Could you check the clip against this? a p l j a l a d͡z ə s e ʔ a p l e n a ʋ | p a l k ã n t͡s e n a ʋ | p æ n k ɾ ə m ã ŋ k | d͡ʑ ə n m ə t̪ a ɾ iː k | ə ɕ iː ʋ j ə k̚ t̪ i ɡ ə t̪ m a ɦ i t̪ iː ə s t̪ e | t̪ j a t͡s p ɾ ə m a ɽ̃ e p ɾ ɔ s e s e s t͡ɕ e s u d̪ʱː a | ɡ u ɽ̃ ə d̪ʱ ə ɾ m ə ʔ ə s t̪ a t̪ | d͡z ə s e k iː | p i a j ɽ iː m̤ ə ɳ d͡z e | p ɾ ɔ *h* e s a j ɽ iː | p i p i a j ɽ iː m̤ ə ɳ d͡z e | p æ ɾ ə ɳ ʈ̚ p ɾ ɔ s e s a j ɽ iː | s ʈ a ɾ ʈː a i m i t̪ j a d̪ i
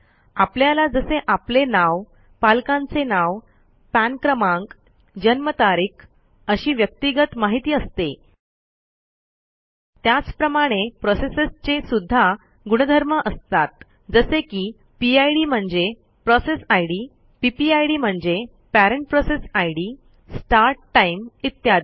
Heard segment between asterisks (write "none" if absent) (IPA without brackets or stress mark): s